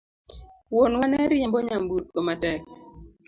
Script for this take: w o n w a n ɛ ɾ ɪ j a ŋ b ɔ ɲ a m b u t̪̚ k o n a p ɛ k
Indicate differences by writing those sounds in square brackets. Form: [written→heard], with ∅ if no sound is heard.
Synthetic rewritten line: w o n w a n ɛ ɾ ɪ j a [ŋ→m] b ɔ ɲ a m b u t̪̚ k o [n→m] a [p→t] ɛ k

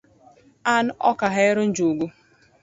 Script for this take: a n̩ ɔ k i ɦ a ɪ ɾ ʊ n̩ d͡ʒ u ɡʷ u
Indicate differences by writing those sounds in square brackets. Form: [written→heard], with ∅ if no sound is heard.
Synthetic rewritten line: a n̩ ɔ k [i→a] ɦ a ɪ ɾ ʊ n̩ d͡ʒ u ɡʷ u

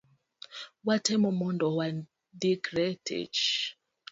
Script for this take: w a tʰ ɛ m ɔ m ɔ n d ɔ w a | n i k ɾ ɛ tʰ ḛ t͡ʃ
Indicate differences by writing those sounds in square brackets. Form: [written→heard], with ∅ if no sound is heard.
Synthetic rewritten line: w a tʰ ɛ m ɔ m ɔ n d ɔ w a | [n→d] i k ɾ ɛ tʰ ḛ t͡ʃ

